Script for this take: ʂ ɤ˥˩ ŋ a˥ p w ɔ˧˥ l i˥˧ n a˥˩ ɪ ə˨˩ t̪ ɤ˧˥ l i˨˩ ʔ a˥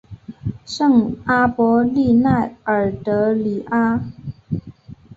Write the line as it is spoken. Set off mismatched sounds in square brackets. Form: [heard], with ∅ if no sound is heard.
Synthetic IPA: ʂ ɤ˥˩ ŋ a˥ p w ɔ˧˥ l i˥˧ n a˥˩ ɪ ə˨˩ t̪ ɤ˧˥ l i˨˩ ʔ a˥